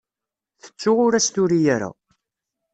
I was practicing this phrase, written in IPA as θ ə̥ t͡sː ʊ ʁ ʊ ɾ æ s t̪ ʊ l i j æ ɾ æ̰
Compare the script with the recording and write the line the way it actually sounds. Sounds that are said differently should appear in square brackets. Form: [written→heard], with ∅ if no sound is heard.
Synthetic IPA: θ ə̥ t͡sː ʊ ʁ ʊ ɾ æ s t̪ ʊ [l→ɾ] i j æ ɾ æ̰